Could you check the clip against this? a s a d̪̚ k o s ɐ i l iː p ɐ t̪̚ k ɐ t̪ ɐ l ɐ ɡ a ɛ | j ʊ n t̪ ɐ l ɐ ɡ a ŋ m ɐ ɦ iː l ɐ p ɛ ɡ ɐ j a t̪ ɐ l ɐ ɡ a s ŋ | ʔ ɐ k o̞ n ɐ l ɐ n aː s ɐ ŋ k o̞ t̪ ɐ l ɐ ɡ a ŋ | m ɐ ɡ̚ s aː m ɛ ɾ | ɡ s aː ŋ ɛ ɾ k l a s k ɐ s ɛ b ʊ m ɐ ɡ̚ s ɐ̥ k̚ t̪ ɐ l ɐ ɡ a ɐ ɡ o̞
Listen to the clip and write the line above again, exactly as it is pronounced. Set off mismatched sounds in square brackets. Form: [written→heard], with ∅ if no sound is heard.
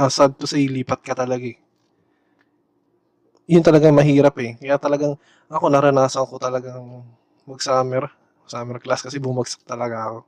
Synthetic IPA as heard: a s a d̪̚ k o s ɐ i l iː p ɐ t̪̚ k ɐ t̪ ɐ l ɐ ɡ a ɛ | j ʊ n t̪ ɐ l ɐ ɡ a ŋ m ɐ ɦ iː [l→ɾ] ɐ p ɛ [ɡ→k] ɐ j a t̪ ɐ l ɐ ɡ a [s→∅] ŋ | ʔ ɐ k o̞ n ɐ [l→ɾ] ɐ n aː s ɐ ŋ k o̞ t̪ ɐ l ɐ ɡ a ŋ | m ɐ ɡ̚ s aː m ɛ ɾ | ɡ s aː [ŋ→m] ɛ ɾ k l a s k ɐ s ɛ b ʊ m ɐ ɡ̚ s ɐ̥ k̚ t̪ ɐ l ɐ ɡ a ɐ [ɡ→k] o̞